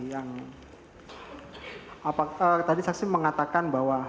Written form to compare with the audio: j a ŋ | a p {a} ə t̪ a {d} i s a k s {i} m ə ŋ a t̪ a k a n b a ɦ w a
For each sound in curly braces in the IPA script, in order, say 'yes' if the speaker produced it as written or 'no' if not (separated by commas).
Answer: yes, yes, yes